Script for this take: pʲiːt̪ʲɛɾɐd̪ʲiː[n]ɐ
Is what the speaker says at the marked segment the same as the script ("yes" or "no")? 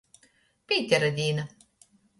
yes